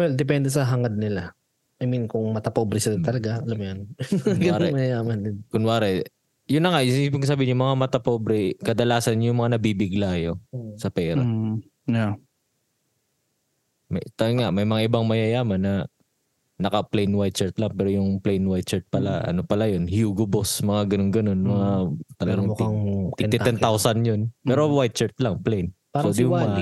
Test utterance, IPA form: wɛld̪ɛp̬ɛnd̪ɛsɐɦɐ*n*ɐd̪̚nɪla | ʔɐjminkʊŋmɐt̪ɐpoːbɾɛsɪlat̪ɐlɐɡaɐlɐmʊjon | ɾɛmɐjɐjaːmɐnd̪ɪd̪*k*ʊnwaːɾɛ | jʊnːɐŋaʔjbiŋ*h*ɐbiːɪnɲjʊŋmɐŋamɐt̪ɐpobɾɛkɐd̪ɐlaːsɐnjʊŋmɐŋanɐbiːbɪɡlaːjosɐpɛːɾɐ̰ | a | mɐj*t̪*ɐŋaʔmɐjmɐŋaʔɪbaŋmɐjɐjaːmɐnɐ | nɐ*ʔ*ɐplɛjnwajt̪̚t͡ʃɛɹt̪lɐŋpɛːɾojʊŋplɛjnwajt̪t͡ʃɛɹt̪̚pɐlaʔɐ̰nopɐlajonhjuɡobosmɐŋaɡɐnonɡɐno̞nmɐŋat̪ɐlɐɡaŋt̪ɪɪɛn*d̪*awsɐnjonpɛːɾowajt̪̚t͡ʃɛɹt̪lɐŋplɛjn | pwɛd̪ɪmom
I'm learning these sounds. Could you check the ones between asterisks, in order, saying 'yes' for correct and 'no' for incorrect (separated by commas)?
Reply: no, yes, no, yes, no, no